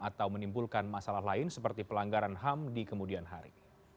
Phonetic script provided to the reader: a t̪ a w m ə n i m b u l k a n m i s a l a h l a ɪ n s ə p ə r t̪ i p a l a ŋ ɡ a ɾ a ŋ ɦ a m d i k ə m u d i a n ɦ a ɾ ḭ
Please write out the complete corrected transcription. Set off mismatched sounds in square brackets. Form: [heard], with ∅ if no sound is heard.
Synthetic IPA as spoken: a t̪ a w m ə n i m b u l k a n m [a] s a l a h l a ɪ n s ə p ə r t̪ i p [ə] l a ŋ ɡ a ɾ a [n] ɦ a m d i k ə m u d i a n ɦ a ɾ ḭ

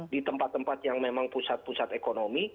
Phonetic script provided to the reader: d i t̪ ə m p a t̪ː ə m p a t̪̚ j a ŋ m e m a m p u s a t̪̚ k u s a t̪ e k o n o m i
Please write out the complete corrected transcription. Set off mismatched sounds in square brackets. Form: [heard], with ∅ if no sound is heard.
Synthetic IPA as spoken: d i t̪ ə m p a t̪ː ə m p a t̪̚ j a ŋ m e m a [ŋ] p u s a t̪̚ [p] u s a t̪ e k o n o m i

